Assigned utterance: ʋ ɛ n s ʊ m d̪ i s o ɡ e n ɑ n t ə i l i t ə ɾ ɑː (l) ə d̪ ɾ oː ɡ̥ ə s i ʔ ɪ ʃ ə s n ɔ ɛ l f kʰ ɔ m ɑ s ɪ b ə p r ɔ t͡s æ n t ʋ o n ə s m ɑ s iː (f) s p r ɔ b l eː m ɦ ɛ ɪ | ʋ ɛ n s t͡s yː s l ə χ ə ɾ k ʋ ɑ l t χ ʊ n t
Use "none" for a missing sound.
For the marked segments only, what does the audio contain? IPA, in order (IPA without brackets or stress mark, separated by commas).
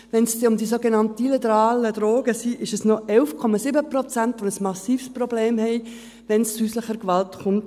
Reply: l, f